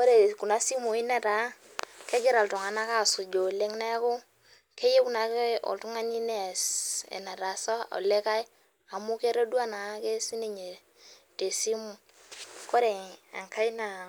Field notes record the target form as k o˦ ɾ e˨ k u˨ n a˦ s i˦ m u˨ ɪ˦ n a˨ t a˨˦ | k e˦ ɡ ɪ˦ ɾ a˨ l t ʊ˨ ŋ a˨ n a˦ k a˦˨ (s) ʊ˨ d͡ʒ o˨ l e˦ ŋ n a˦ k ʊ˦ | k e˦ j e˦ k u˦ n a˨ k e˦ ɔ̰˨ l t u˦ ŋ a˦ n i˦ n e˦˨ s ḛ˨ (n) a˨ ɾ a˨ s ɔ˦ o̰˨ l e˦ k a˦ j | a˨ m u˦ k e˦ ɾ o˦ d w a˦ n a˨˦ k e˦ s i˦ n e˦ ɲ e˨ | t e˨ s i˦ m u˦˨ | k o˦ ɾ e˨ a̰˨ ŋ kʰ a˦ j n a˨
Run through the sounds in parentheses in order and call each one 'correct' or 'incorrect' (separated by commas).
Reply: correct, correct